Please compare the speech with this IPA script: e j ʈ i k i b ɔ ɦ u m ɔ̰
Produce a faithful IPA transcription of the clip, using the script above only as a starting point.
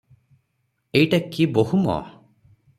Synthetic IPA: e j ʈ a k i b o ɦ u m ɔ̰